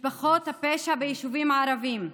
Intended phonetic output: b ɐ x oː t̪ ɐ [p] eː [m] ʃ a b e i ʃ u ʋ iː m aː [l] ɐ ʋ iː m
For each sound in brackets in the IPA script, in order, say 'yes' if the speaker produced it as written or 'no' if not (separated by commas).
yes, no, no